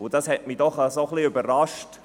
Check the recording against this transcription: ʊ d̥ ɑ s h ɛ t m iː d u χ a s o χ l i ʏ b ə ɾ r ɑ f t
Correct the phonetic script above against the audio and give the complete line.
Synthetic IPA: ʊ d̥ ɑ s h ɛ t m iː d ɔ χ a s o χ l i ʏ b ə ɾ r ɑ ʃ t